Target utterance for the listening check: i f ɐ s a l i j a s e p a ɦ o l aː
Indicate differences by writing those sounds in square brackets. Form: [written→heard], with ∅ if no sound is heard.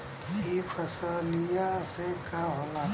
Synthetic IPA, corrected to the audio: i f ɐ s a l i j a s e [p→k] a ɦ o l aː